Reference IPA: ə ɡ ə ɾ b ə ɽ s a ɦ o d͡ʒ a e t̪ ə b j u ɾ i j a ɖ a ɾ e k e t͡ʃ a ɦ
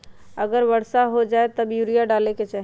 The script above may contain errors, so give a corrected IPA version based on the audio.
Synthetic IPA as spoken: ə ɡ ə ɾ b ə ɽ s a ɦ o d͡ʒ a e t̪ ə b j u ɾ i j a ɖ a l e k e t͡ʃ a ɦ

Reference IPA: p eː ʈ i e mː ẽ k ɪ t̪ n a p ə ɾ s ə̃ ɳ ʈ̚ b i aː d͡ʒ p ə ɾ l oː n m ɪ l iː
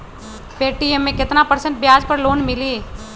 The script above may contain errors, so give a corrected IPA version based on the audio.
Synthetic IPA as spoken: p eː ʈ i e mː ẽ k ɪ t̪ n a p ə ɾ s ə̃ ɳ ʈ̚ b j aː d͡ʒ p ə ɾ l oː n m ɪ l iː

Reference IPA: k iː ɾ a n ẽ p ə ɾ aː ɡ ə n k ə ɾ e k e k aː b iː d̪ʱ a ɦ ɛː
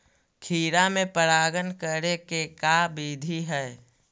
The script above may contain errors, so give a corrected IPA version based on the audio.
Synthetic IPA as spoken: kʰ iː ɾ a m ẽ p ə ɾ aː ɡ ə n k ə ɾ e k e k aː b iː d̪ʱ i ɦ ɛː

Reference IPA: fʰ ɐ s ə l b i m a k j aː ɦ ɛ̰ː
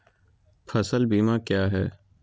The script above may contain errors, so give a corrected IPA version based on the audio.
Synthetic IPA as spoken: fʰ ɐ s ə l b iː m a k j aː ɦ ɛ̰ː

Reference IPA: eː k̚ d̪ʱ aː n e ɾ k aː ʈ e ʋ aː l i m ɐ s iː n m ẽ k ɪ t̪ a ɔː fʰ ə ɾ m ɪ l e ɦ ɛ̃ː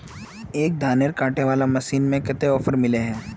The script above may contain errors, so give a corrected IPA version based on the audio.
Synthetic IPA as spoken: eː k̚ d̪ʱ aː n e ɾ k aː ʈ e ʋ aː l a m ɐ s iː n m ẽ k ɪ t̪ e ɔː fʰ ə ɾ m ɪ l e ɦ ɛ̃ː

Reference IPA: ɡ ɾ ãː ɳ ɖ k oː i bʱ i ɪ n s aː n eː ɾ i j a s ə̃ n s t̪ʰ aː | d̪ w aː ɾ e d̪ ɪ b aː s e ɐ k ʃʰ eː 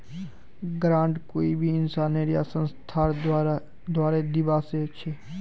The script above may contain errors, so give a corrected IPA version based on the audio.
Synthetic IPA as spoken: ɡ ɾ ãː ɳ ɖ k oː i bʱ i ɪ n s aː n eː ɾ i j a s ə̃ n s t̪ʰ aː | d̪ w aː ɾ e d̪ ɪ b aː s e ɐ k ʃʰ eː

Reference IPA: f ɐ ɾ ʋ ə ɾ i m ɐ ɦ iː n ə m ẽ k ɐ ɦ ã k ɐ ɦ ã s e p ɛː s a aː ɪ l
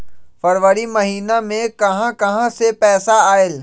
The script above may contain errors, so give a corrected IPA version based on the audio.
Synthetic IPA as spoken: f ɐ ɾ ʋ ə ɾ i m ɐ ɦ iː n a m ẽ k ɐ ɦ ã k ɐ ɦ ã s e p ɛː s a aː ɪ l

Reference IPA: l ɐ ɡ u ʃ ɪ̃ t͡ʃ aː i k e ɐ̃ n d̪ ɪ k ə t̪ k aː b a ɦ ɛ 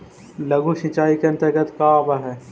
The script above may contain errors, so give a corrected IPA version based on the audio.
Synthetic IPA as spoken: l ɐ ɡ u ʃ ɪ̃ t͡ʃ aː i k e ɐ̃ n t̪ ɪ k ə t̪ k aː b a ɦ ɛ

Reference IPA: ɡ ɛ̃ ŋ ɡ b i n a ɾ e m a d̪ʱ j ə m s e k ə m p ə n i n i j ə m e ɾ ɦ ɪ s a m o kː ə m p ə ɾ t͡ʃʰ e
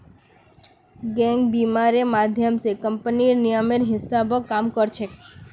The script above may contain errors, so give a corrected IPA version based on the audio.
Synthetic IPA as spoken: ɡ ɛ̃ ŋ ɡ b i m a ɾ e m a d̪ʱ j ə m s e k ə m p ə n i n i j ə m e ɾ ɦ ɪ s a b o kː a m k ə ɾ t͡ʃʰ e

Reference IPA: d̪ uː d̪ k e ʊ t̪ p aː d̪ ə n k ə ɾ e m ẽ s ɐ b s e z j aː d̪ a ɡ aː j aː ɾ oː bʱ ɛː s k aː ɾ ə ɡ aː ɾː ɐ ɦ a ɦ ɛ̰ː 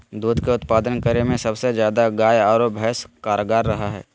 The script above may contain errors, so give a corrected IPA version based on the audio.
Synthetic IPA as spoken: d̪ uː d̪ k e ʊ t̪ p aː d̪ ə n k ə ɾ e m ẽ s ɐ b s e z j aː d̪ a ɡ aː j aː ɾ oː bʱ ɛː s k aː ɾ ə ɡ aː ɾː ɐ ɦ a ɦ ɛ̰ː

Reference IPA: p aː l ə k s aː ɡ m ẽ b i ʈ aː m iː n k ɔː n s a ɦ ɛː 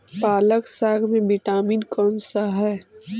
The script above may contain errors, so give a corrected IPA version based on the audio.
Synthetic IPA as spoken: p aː l ə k s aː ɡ m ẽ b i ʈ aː m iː n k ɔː n s a ɦ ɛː

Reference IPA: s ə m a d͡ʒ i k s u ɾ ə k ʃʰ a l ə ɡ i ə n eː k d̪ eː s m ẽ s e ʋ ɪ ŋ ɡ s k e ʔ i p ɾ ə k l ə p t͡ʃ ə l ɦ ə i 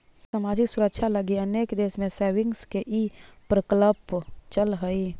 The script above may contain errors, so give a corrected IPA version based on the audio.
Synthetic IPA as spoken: s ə m a d͡ʒ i k s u ɾ ə k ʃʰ a l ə ɡ i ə n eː k d̪ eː s m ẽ s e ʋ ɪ ŋ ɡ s k e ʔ i p ɾ ə k l ə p t͡ʃ ə l ɦ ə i

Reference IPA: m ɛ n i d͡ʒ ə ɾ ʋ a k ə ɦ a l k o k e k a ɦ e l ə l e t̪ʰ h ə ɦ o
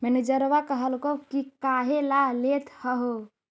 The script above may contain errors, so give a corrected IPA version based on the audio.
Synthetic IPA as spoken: m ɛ n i d͡ʒ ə ɾ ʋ a k ə ɦ ə l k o k i k a ɦ e l a l e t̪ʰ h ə ɦ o

